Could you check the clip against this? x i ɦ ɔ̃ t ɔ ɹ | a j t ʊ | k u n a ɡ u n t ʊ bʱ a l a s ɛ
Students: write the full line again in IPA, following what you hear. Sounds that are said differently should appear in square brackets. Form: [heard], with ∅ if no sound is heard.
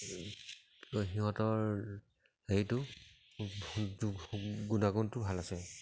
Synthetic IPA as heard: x i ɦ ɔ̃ t ɔ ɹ | [e] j t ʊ | [ɡ] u n a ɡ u n t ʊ bʱ a l a s ɛ